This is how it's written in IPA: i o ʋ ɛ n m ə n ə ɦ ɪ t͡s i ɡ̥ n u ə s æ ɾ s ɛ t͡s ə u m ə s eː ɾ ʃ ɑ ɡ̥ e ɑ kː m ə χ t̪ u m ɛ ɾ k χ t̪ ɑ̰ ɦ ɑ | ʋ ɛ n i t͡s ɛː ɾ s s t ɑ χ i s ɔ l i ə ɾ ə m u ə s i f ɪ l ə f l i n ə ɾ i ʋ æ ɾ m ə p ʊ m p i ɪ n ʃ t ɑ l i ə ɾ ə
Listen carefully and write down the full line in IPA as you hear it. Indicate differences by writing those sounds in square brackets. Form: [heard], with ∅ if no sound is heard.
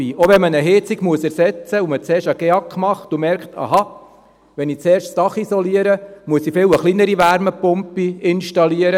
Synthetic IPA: i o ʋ ɛ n m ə n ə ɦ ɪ t͡s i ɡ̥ [m] u ə s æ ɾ s ɛ t͡s ə u m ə [t͡s] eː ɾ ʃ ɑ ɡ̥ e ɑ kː m [ɑ] χ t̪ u m ɛ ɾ k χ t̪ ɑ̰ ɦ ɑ | ʋ ɛ n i t͡s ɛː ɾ [ʃ] s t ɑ χ i s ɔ l i ə ɾ ə m u ə s i f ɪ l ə [χ] l i n ə ɾ i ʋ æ ɾ m ə p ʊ m p i ɪ n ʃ t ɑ l i ə ɾ ə

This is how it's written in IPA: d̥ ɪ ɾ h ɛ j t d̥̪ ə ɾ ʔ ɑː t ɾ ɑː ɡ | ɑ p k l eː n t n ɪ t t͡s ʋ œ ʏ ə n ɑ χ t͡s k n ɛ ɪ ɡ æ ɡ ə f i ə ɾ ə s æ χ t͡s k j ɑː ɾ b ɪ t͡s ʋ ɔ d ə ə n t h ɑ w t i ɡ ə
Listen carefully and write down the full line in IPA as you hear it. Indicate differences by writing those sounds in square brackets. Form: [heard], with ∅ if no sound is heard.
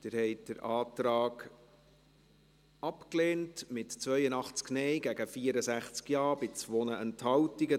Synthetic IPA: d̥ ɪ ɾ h ɛ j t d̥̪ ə ɾ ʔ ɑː t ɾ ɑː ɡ | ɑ p k l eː n t [m] ɪ t t͡s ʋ œ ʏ ə n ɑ χ t͡s k n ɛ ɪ ɡ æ ɡ ə f i ə ɾ ə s æ χ t͡s k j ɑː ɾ b ɪ t͡s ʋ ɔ [n] ə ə n t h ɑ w t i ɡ ə

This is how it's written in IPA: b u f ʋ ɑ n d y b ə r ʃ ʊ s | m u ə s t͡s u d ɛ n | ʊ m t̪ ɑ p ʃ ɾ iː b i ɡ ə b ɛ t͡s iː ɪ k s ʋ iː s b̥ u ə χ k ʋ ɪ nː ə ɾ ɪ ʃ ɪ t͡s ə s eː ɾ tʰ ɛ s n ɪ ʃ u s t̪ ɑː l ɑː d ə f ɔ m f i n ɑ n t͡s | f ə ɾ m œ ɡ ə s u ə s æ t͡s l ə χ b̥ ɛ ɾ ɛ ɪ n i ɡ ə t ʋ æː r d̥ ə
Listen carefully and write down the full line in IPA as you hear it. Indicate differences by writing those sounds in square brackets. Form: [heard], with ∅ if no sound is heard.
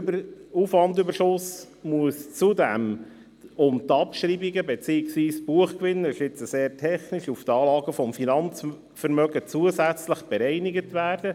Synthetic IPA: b u f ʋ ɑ n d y b ə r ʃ ʊ s | m u ə s t͡s u d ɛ [m] | ʊ m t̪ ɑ p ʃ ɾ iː b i ɡ ə b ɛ t͡s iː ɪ k s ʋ iː s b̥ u ə χ k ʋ ɪ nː ə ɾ ɪ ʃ ɪ t͡s ə s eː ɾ tʰ ɛ [χ] n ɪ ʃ u [f] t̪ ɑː l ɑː [ɡ] ə f ɔ m f i n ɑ n t͡s | f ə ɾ m œ ɡ ə [t͡s] u ə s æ t͡s l ə χ b̥ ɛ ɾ ɛ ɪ n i ɡ ə t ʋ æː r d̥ ə

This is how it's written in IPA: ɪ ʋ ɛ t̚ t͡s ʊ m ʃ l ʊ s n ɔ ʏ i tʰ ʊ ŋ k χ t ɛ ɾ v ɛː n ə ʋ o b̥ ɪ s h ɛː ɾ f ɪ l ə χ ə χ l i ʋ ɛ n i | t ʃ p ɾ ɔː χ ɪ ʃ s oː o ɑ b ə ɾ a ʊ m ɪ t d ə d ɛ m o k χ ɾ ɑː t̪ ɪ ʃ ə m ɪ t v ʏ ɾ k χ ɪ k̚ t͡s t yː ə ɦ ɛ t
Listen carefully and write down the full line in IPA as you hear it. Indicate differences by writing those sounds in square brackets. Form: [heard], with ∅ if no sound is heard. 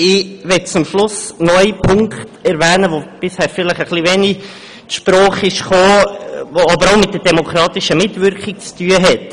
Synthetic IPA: ɪ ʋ ɛ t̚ t͡s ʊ m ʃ l ʊ s n ɔ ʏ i [pʰ] ʊ ŋ k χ t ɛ ɾ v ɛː n ə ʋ o b̥ ɪ s h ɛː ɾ f ɪ l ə χ ə χ l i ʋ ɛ n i | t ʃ p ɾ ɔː χ ɪ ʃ [χ] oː o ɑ b ə ɾ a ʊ m ɪ t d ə d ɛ m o k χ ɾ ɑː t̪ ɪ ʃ ə m ɪ t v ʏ ɾ k χ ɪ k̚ t͡s t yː ə ɦ ɛ t

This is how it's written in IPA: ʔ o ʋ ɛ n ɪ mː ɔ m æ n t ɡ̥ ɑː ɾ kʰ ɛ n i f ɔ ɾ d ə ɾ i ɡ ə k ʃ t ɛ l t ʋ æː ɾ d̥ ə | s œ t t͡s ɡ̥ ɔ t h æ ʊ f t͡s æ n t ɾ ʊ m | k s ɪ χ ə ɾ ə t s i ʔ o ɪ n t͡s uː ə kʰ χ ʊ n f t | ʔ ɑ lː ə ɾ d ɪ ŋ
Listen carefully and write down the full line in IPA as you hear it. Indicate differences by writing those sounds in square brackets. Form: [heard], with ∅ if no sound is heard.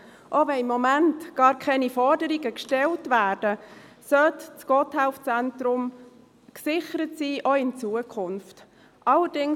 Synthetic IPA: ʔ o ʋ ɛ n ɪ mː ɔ m æ n t ɡ̥ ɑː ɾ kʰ ɛ n i f ɔ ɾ d ə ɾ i ɡ ə k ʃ t ɛ l t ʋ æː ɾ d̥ ə | s œ t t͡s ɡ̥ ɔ t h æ ʊ f t͡s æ n t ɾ ʊ m | k s ɪ χ ə ɾ ə t s [iː] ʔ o ɪ n t͡s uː ə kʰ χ ʊ n f t | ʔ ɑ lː ə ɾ d ɪ ŋ

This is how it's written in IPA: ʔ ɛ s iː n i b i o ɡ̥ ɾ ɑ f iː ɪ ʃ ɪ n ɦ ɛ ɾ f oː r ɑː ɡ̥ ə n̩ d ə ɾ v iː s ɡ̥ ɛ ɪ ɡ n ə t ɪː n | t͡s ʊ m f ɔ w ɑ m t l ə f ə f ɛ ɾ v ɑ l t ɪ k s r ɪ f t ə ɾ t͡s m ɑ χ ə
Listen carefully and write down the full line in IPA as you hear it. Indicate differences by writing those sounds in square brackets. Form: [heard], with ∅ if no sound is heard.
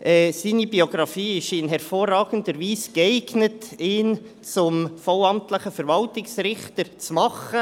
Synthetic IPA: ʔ ɛ s iː n i b i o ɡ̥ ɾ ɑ f iː ɪ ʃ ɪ n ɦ ɛ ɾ f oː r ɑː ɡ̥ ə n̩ d ə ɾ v iː s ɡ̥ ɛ ɪ ɡ n ə t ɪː n | t͡s ʊ m f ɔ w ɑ m t l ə [χ] ə f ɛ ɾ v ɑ l t ɪ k s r ɪ [χ] t ə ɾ t͡s m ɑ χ ə

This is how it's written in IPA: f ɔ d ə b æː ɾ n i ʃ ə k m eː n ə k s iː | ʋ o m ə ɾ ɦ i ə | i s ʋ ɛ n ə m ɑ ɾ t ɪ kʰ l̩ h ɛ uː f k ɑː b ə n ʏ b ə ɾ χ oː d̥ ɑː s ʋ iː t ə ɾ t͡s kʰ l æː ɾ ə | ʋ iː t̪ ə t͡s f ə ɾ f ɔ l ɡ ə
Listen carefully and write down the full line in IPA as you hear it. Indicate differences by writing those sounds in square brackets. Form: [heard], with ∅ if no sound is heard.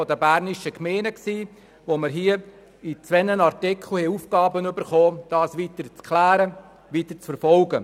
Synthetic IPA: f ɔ d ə b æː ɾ n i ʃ ə k m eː n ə k s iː | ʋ o m ə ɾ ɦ i ə | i [t͡s] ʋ ɛ n ə [n] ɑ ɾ t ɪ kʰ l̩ h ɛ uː f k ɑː b ə n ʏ b ə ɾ χ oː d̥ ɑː s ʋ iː t ə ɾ t͡s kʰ l æː ɾ ə | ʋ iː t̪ ə t͡s f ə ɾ f ɔ l ɡ ə

